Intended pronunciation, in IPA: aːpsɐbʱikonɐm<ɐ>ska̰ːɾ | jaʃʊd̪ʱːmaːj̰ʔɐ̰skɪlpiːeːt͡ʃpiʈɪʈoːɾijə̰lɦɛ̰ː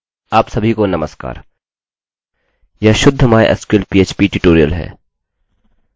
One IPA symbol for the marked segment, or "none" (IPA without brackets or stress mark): ə